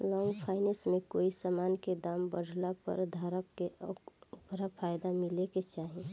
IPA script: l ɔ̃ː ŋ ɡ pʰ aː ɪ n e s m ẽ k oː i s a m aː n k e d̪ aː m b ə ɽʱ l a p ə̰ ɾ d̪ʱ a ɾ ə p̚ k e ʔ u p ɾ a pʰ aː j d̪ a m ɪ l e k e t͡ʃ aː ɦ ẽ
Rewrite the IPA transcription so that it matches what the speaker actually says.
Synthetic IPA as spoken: l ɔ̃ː ŋ ɡ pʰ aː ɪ n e s m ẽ k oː i s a m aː n k e d̪ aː m b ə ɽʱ l a p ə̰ ɾ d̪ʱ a ɾ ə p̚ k e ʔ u p ɾ a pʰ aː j d̪ a m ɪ l e k e t͡ʃ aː ɦ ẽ